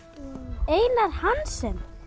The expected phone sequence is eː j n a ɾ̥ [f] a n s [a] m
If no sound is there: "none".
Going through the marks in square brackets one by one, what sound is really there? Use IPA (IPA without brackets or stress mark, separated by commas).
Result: h, ɛ